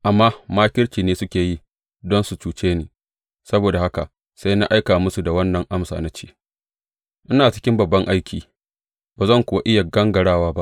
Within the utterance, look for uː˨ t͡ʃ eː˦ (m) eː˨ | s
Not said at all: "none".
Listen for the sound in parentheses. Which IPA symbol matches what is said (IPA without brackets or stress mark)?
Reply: n